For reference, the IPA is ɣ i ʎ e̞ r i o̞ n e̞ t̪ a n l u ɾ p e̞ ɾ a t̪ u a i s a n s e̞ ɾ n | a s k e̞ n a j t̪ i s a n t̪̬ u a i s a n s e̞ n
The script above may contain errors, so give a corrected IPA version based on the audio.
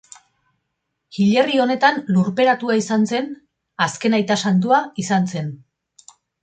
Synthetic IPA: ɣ i ʎ e̞ r i o̞ n e̞ t̪ a n l u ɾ p e̞ ɾ a t̪ u a i s a n s e̞ n | a s k e̞ n a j t̪ a s a n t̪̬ u a i s a n s e̞ n